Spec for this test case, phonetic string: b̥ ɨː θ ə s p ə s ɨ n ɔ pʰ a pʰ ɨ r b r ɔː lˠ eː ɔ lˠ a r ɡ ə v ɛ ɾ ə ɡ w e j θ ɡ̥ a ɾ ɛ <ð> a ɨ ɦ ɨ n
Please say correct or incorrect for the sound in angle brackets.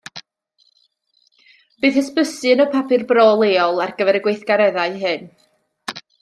correct